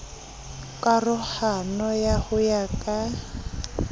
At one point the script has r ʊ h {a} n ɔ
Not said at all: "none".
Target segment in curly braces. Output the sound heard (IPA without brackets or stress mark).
a